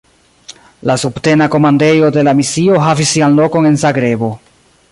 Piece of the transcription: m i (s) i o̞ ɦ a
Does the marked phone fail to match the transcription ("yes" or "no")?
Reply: no